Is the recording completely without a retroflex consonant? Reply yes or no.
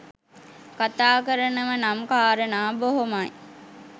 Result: yes